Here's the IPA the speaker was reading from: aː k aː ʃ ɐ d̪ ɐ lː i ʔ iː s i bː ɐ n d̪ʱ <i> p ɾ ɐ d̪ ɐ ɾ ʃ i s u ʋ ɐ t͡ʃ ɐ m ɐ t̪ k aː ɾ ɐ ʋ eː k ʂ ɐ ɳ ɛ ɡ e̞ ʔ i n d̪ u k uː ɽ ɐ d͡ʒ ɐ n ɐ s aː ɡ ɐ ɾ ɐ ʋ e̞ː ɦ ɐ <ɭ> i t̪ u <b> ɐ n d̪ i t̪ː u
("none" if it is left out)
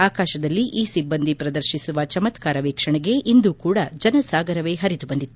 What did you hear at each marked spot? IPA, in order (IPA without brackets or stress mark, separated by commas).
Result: i, ɾ, b